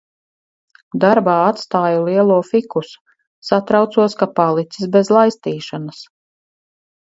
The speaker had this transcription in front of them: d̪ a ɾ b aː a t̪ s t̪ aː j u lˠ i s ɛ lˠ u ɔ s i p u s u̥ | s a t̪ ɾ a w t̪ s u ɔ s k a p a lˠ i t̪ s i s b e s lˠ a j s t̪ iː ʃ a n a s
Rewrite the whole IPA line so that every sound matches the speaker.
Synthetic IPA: d̪ a ɾ b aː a t̪ s t̪ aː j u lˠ i ɛ lˠ u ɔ f i k u s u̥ | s a t̪ ɾ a w t̪ s u ɔ s k a p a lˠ i t̪ s i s b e z lˠ a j s t̪ iː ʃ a n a s